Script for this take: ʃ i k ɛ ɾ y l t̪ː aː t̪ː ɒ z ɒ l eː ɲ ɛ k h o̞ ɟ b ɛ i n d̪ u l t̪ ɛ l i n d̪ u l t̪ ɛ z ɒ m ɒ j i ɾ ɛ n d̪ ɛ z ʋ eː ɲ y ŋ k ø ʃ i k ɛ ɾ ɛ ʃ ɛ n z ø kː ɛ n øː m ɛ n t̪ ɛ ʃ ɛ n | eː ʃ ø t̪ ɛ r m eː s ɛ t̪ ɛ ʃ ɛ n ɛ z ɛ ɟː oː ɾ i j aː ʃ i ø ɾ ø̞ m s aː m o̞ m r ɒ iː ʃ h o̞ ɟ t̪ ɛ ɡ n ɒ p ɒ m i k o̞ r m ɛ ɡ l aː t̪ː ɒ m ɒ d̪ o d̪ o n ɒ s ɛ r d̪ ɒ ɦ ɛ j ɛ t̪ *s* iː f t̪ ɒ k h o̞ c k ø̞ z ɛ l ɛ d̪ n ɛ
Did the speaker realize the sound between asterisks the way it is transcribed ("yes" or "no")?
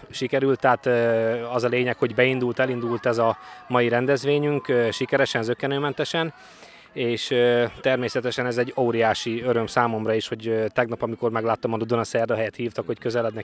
no